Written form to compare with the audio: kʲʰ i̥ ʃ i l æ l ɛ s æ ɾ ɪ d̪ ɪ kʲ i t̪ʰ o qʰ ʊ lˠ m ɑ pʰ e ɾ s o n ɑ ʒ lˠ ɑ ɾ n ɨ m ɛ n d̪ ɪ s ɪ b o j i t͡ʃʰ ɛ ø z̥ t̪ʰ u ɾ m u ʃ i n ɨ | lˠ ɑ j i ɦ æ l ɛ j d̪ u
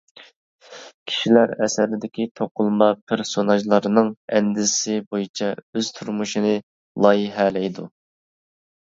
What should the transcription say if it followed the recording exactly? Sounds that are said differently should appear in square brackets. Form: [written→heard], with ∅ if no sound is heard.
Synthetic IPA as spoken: kʲʰ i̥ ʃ i l æ [l→ɾ] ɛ s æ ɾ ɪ d̪ ɪ kʲ i t̪ʰ o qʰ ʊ lˠ m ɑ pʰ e ɾ s o n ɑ ʒ lˠ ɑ ɾ n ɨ [m→ŋ] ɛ n d̪ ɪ s ɪ b o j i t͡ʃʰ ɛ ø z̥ t̪ʰ u ɾ m u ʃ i n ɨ | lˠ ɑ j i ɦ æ l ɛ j d̪ u